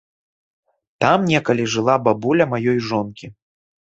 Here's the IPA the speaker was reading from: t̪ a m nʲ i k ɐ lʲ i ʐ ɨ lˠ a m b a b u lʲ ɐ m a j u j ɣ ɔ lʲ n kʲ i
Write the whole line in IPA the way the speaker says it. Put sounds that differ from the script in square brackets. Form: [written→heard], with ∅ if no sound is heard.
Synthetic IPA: t̪ a m nʲ [i→ɛ] k ɐ lʲ i ʐ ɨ lˠ a [m→∅] b a b u lʲ ɐ m a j [u→ɔ] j [ɣ→ʐ] ɔ [lʲ→∅] n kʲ i

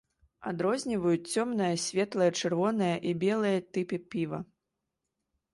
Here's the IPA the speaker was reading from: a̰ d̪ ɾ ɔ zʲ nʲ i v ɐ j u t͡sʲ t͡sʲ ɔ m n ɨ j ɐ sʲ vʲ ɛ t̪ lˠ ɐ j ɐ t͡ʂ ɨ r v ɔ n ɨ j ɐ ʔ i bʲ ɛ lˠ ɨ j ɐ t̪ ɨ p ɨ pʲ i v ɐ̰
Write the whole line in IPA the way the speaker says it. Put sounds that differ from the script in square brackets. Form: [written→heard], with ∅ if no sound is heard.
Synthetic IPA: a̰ d̪ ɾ ɔ zʲ nʲ i v ɐ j u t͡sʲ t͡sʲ ɔ m n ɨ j ɐ sʲ vʲ ɛ t̪ lˠ ɐ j ɐ t͡ʂ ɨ r v ɔ n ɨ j ɐ ʔ i bʲ ɛ lˠ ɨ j ɐ t̪ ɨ p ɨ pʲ i v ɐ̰

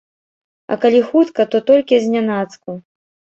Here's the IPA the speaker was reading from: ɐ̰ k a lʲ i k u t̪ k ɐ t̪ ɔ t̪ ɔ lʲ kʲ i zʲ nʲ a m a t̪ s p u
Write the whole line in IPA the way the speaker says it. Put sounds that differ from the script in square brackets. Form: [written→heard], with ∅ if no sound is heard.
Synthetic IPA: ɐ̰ k a lʲ i [k→x] u t̪ k ɐ t̪ ɔ t̪ ɔ lʲ kʲ i zʲ nʲ a [m→n] a t̪ s [p→k] u

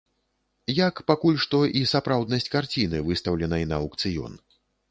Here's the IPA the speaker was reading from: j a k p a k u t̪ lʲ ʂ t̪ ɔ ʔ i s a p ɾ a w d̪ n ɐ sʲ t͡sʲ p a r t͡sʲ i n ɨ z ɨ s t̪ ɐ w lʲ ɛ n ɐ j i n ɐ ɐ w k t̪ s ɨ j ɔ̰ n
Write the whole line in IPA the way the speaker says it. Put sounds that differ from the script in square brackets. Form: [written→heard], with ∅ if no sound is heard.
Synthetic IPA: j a k p a k u [t̪→∅] lʲ ʂ t̪ ɔ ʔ i s a p ɾ a w d̪ n ɐ sʲ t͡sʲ [p→k] a r t͡sʲ i n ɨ [z→v] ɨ s t̪ ɐ w lʲ ɛ n ɐ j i n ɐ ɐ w k t̪ s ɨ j ɔ̰ n

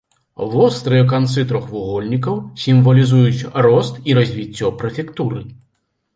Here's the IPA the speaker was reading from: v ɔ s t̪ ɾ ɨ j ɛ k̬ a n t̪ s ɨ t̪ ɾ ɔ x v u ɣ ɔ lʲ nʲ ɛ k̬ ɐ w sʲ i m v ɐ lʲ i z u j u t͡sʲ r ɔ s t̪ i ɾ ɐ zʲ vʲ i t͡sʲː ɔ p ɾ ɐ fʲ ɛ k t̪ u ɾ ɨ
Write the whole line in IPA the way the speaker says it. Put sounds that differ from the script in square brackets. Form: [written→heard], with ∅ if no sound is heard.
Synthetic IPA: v ɔ s t̪ ɾ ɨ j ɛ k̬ a n t̪ s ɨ t̪ ɾ ɔ x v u ɣ ɔ lʲ nʲ [ɛ→i] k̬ ɐ w sʲ i m v ɐ lʲ i z u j u t͡sʲ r ɔ s t̪ i ɾ ɐ zʲ vʲ i t͡sʲː ɔ p ɾ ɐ fʲ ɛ k t̪ u ɾ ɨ

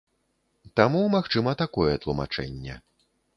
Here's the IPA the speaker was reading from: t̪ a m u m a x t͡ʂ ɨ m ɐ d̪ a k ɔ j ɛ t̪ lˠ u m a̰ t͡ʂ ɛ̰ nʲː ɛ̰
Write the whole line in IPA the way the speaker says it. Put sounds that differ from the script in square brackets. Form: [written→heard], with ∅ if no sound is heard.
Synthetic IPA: t̪ a m u m a x t͡ʂ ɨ m ɐ [d̪→t̪] a k ɔ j ɛ t̪ lˠ u m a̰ t͡ʂ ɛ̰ nʲː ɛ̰

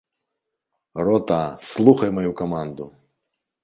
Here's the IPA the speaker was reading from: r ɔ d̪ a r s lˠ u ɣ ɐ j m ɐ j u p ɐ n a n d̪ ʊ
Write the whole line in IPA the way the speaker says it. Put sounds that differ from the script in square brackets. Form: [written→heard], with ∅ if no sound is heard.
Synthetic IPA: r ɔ [d̪→t̪] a [r→∅] s lˠ u [ɣ→x] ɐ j m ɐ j u [p→k] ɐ [n→m] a n d̪ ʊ

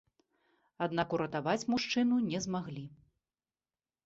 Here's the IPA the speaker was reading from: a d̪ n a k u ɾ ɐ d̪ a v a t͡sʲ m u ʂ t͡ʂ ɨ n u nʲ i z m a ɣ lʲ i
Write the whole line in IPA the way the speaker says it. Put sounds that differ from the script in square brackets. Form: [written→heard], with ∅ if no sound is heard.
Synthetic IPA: a d̪ n a k u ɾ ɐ [d̪→t̪] a v a t͡sʲ m u ʂ t͡ʂ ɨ n u nʲ [i→ɛ] z m a ɣ lʲ i

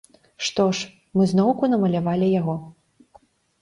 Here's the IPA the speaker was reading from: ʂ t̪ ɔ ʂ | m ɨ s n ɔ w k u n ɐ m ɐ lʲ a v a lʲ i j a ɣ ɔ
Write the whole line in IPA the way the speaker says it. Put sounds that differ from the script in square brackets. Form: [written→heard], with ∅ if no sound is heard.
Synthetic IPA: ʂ t̪ ɔ ʂ | m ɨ [s→z] n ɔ w k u n ɐ m ɐ lʲ a v a lʲ i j a ɣ ɔ

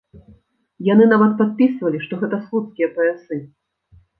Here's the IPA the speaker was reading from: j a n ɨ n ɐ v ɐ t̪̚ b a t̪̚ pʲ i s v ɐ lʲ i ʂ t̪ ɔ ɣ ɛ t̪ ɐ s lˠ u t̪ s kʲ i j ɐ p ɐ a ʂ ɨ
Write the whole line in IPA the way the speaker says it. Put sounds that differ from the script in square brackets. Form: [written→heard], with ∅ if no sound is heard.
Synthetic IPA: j a n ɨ n [ɐ→a] v ɐ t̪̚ [b→p] a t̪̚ pʲ i s v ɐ lʲ i ʂ t̪ ɔ ɣ ɛ t̪ ɐ s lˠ u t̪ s kʲ i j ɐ p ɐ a [ʂ→s] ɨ

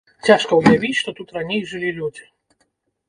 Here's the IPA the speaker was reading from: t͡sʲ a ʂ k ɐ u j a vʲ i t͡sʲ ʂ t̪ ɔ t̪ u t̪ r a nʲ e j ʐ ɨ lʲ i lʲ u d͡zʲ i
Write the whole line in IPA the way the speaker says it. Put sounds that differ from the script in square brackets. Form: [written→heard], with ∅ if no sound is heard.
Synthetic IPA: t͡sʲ a ʂ k ɐ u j a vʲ i t͡sʲ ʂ t̪ ɔ t̪ u t̪ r a nʲ e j ʐ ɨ lʲ i lʲ u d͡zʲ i

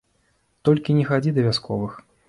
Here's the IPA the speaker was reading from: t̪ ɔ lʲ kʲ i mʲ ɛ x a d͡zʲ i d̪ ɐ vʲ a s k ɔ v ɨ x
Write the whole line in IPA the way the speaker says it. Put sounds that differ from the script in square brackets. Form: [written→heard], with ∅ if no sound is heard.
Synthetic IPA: t̪ ɔ lʲ kʲ i [mʲ→nʲ] ɛ x a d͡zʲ i d̪ ɐ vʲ a s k ɔ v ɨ x

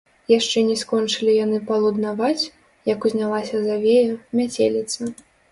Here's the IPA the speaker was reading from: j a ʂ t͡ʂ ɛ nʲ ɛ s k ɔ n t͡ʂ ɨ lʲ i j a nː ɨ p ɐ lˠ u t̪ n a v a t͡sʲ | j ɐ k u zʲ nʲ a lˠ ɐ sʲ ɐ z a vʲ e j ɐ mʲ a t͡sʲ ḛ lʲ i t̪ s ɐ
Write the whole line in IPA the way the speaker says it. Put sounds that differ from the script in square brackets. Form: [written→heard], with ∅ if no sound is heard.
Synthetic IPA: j a ʂ t͡ʂ ɛ nʲ ɛ s k ɔ n t͡ʂ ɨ lʲ i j a [nː→n] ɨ p ɐ lˠ u [t̪→d̪] n a v a t͡sʲ | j ɐ k u zʲ nʲ a lˠ [ɐ→a] sʲ ɐ z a vʲ e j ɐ mʲ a t͡sʲ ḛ lʲ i t̪ s ɐ

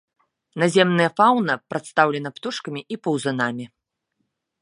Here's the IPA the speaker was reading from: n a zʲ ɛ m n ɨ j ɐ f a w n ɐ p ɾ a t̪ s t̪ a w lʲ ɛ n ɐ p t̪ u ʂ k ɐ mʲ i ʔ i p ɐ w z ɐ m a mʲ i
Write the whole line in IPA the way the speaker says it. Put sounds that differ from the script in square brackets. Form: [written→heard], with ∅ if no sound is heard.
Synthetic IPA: n a zʲ ɛ m n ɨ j ɐ f a w n ɐ p ɾ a t̪ s t̪ a w lʲ ɛ n ɐ p t̪ u ʂ k ɐ mʲ i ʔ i p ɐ w z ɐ [m→n] a mʲ i

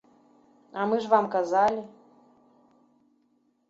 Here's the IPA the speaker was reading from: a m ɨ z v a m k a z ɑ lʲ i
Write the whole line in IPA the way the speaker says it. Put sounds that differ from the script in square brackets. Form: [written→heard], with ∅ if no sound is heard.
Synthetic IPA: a m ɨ [z→ʐ] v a m k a z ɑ lʲ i

